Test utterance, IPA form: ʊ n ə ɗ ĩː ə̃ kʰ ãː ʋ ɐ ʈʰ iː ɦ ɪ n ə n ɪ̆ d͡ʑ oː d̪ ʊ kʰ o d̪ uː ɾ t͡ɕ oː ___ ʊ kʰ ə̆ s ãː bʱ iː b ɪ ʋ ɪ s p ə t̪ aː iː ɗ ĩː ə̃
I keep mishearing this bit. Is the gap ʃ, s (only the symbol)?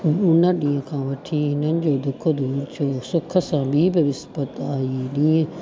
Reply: s